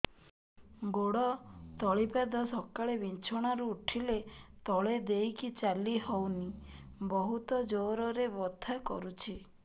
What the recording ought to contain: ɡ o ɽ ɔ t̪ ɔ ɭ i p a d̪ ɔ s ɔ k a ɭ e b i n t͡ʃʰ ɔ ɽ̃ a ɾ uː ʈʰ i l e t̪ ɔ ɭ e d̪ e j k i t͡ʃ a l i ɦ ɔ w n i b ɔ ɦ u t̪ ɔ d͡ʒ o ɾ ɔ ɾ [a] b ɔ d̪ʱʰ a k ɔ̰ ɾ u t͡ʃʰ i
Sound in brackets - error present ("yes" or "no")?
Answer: yes